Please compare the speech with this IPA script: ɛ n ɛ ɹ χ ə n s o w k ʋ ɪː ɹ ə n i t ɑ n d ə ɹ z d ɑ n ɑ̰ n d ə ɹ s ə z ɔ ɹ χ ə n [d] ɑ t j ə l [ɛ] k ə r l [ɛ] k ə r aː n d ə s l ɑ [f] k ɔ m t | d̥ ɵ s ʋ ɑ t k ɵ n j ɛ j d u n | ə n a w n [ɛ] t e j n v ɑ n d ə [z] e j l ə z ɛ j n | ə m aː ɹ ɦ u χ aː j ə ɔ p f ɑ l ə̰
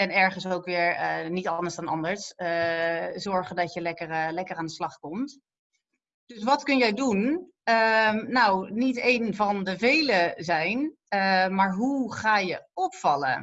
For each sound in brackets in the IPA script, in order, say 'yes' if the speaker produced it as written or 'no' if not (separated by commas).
yes, yes, yes, no, no, no